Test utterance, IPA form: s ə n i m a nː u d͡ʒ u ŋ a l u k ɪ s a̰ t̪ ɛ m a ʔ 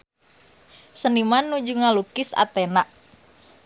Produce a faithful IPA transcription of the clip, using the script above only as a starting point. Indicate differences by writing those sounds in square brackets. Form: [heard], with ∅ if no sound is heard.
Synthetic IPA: s ə n i m a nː u d͡ʒ u ŋ a l u k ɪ s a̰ t̪ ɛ [n] a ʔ